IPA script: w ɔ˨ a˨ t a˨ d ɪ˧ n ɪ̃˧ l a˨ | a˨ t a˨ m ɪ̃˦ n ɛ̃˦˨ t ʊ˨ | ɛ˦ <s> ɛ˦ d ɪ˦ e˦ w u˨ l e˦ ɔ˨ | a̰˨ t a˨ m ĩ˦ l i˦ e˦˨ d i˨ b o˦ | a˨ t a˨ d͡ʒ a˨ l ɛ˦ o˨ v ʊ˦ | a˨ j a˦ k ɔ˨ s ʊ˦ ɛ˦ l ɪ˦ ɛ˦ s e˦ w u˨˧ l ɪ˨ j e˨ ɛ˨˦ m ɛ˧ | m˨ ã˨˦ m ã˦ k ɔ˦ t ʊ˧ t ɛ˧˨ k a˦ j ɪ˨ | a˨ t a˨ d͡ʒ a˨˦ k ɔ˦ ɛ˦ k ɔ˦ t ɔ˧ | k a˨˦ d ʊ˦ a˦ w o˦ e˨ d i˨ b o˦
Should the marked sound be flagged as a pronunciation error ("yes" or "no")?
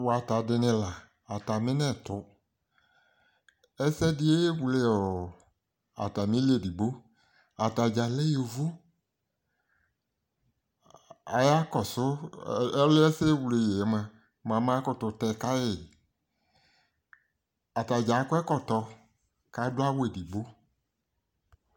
no